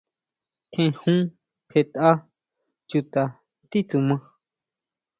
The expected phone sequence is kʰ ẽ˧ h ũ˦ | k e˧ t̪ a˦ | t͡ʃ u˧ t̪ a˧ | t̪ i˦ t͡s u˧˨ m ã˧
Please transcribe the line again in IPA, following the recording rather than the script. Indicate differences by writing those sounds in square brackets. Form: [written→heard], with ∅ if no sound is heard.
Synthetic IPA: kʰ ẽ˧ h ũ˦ | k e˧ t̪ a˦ | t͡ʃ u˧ t̪ a˧ | t̪ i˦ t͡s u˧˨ m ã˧